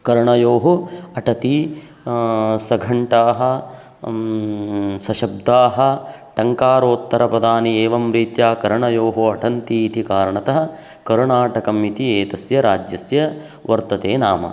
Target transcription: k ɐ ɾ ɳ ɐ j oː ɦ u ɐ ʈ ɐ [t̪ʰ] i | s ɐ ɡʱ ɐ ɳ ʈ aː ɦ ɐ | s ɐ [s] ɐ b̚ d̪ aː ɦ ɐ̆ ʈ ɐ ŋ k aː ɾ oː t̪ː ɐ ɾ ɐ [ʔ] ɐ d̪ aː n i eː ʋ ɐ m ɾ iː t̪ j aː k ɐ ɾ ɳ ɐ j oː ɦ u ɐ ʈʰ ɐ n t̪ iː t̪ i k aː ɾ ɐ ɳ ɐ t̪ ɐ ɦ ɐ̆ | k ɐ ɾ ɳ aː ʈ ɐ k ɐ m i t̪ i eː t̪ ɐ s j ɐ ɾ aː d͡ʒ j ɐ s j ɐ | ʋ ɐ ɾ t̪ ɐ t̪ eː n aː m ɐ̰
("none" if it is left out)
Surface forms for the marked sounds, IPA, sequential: t̪, ʃ, p

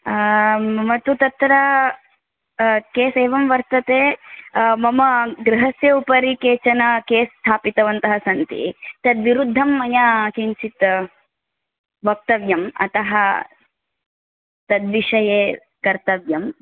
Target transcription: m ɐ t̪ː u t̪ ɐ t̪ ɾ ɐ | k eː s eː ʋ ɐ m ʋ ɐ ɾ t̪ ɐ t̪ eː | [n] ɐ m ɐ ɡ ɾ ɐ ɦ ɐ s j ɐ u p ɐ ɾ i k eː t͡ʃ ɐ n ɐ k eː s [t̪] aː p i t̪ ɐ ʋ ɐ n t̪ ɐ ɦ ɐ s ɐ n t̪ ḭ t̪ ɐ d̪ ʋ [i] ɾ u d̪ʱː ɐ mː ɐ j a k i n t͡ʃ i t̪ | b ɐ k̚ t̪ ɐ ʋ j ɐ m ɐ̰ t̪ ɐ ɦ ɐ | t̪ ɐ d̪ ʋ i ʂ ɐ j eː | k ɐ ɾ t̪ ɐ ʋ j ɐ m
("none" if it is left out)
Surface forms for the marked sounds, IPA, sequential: m, t̪ʰ, i

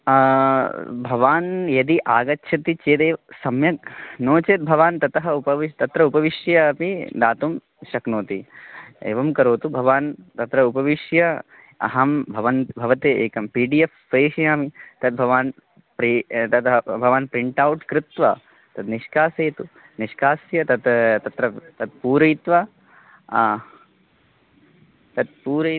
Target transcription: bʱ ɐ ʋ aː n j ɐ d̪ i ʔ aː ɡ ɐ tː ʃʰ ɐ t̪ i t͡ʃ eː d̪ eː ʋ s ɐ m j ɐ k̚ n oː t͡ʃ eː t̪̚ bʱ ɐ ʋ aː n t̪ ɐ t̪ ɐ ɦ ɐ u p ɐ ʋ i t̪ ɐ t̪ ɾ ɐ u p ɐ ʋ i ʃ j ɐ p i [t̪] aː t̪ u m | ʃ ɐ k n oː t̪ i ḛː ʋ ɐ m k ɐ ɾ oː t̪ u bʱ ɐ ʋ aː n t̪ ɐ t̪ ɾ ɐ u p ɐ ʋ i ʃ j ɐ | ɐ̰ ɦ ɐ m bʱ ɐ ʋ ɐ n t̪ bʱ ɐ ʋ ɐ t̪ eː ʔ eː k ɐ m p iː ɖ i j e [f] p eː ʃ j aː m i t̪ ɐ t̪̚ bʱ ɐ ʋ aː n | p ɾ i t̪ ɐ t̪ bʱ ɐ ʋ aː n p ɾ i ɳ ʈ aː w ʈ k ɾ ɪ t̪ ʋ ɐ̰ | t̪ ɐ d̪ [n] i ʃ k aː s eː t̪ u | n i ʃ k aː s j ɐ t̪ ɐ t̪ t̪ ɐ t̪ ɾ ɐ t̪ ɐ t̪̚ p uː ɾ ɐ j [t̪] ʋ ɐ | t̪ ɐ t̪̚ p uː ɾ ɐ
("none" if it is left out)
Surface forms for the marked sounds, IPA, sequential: d̪, f, n, t̪

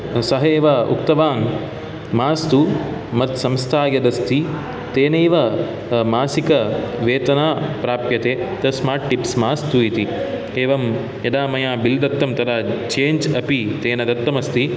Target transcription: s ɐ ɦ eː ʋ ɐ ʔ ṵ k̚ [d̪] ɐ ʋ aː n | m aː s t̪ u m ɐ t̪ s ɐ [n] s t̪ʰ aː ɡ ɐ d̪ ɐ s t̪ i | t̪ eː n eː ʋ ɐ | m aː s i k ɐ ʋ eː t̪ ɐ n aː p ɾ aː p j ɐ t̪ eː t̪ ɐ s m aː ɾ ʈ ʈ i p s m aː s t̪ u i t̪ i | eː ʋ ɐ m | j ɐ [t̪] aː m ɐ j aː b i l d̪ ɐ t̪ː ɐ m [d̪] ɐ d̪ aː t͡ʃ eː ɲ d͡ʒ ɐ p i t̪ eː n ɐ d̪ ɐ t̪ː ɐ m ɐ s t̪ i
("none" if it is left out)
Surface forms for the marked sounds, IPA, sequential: t̪, m, d̪, t̪

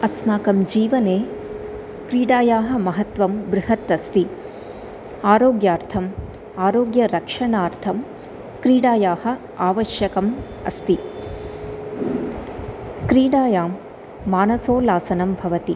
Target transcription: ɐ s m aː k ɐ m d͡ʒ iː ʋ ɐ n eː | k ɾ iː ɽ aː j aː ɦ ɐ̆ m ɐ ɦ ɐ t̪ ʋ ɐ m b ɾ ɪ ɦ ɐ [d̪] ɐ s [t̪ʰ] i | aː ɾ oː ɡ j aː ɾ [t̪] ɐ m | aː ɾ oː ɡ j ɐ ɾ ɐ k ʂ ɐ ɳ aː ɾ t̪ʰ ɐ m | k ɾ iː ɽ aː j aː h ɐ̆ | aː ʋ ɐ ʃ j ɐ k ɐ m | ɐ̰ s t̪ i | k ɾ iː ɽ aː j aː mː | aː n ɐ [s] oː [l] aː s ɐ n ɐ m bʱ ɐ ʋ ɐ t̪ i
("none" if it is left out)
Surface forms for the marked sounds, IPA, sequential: t̪, t̪, t̪ʰ, s, l

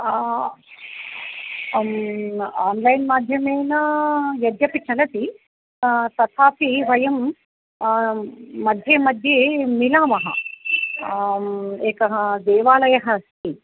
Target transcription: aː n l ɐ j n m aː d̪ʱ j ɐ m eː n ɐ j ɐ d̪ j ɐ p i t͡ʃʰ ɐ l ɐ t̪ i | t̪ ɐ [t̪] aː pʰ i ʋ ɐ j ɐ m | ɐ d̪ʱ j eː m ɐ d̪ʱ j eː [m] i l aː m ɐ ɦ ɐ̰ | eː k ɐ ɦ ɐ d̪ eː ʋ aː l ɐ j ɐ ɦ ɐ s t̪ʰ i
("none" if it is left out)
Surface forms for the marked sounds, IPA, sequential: t̪ʰ, m

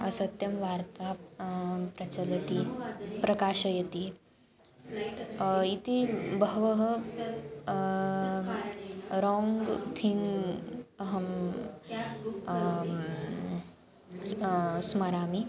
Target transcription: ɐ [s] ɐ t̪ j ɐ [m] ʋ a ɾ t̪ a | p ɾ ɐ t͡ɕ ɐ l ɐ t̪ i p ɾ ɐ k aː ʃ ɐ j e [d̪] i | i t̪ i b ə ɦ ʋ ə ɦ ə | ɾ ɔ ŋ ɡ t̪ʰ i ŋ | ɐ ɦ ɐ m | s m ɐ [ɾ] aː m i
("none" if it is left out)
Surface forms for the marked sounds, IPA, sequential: s, m, t̪, ɾ

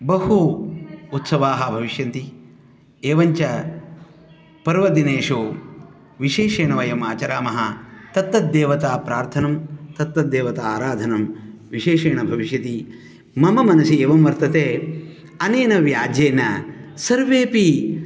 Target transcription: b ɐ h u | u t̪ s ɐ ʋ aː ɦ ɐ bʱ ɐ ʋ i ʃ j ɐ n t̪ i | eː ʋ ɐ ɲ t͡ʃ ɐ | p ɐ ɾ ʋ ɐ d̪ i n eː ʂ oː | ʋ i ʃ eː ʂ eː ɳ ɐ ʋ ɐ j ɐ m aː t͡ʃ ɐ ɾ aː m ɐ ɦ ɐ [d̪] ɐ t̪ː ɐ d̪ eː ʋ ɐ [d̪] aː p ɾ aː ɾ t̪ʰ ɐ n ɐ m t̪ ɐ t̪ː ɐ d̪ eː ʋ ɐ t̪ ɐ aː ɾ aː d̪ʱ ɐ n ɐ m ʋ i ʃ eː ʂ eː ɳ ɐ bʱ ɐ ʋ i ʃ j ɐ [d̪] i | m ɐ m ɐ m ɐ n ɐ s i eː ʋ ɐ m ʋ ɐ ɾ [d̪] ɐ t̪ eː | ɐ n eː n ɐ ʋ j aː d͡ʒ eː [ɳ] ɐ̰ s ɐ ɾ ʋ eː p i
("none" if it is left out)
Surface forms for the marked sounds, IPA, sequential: t̪, t̪, t̪, t̪, n

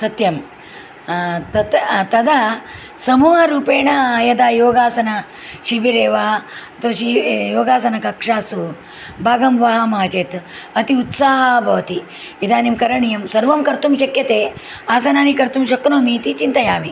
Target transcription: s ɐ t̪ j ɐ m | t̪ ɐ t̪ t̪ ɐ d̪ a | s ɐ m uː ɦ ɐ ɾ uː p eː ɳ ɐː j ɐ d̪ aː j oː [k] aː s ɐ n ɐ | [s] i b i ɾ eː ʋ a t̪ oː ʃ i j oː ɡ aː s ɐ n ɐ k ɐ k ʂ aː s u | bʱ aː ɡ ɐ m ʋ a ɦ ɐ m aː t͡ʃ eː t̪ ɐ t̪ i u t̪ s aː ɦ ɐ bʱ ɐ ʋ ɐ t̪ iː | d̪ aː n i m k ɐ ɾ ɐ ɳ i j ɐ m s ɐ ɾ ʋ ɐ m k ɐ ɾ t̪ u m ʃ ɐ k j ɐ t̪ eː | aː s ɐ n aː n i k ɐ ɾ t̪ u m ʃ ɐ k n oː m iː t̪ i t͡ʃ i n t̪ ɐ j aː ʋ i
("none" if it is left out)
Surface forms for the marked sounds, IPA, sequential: ɡ, ʃ

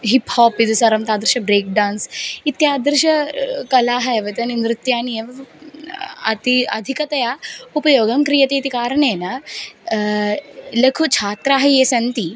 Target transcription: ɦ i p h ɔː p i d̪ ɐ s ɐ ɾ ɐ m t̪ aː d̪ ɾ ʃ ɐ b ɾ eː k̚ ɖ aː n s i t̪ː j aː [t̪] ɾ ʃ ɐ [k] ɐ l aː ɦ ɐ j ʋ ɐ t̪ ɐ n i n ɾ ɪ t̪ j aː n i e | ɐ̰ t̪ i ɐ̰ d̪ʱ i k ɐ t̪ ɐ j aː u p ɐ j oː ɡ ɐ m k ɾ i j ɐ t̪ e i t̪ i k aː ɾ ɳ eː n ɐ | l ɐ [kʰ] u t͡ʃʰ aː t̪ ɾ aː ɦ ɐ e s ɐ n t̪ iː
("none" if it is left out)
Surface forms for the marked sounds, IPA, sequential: d̪, k, kʰ

